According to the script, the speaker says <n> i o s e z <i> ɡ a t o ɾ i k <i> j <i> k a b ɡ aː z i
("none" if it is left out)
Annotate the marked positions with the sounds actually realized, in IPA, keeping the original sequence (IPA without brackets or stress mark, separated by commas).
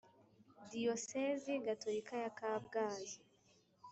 d, i, a, a